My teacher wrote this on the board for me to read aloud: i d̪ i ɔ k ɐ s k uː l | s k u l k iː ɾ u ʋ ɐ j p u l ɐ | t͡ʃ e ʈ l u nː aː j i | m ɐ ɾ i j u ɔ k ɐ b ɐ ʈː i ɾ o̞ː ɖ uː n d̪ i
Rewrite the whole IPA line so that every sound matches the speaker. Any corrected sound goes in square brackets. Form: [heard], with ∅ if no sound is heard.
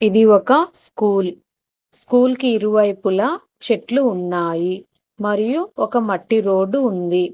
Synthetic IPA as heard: i d̪ i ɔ k ɐ s k uː l | s k [uː] l k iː ɾ u ʋ ɐ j p u l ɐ | t͡ʃ e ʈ l [uː] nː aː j i | m ɐ ɾ i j u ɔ k ɐ [m] ɐ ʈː i ɾ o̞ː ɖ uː n d̪ i